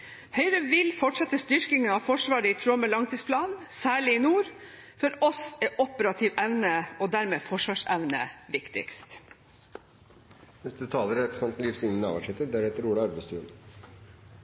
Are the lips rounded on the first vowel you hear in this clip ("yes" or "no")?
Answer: yes